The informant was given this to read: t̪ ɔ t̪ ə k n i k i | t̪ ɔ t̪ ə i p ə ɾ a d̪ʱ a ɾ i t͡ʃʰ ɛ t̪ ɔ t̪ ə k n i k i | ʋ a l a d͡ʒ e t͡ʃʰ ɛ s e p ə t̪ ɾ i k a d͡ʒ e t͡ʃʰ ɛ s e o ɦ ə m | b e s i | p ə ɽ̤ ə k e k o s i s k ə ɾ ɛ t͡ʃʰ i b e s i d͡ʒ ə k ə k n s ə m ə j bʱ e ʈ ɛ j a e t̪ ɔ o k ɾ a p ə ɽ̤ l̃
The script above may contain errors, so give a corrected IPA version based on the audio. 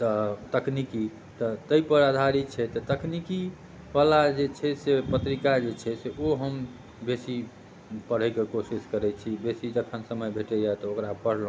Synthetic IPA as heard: t̪ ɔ t̪ ə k n i k i | t̪ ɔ t̪ ə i p ə ɾ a d̪ʱ a ɾ i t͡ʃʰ ɛ t̪ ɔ t̪ ə k n i k i | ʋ a l a d͡ʒ e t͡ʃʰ ɛ s e p ə t̪ ɾ i k a d͡ʒ e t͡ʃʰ ɛ s e o ɦ ə m | b e s i | p ə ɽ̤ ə k e k o s i s k ə ɾ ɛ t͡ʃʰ i b e s i d͡ʒ ə kʰ ə n s ə m ə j bʱ e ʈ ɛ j a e t̪ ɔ o k ɾ a p ə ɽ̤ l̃